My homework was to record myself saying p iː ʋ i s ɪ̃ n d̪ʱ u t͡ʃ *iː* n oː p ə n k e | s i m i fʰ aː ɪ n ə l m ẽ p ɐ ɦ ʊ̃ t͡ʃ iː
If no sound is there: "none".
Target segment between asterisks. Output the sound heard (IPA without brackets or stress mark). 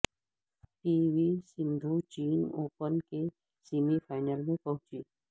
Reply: iː